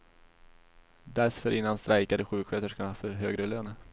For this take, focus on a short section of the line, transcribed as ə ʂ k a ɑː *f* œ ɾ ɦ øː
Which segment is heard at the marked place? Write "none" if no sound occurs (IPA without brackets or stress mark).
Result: f